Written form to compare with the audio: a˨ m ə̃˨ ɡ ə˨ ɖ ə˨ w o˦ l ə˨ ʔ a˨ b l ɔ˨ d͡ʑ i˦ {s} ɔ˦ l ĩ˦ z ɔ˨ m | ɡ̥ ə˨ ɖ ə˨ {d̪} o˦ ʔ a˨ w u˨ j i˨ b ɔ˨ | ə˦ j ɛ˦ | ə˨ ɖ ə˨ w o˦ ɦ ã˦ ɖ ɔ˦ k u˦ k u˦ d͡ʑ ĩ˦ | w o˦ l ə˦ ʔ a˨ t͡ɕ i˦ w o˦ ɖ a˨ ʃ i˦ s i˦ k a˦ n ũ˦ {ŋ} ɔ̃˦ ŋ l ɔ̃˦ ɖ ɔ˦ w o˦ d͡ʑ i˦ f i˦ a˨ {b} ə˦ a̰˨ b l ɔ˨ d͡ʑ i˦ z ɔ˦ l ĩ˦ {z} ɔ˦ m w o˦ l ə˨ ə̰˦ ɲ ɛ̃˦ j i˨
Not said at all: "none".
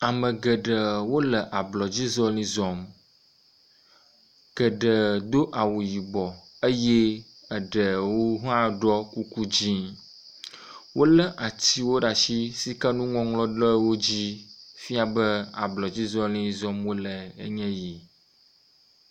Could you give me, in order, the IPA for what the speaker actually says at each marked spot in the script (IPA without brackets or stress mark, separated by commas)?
z, d̪, ŋ, b, z